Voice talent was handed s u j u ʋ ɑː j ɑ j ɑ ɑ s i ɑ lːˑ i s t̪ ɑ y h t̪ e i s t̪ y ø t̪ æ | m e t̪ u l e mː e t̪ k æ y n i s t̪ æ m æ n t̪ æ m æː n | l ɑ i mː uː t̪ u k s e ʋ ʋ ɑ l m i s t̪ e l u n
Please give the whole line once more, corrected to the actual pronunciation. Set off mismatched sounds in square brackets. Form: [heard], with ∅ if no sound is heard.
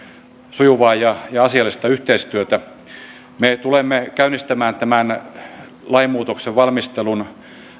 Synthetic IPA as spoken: s u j u ʋ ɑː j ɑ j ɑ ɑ s i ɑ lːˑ i s t̪ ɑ y h t̪ e i s t̪ y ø t̪ æ | m e t̪ u l e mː e [∅] k æ y n i s t̪ æ m [æː] n t̪ æ m [æ] n | l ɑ i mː uː t̪ [o] k s e ʋ ʋ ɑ l m i s t̪ e l u n